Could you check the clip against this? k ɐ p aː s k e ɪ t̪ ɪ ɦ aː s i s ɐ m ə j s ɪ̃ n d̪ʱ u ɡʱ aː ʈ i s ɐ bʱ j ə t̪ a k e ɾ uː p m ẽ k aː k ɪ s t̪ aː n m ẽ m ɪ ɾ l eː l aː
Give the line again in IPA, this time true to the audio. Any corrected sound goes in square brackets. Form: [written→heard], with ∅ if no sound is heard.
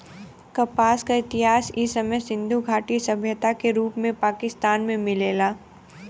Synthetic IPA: k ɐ p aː s k [e→a] ɪ t̪ ɪ ɦ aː s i s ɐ m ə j s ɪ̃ n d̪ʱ u ɡʱ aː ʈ i s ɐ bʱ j ə t̪ a k e ɾ uː p m ẽ [k→p] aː k ɪ s t̪ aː n m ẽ m ɪ [ɾ→∅] l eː l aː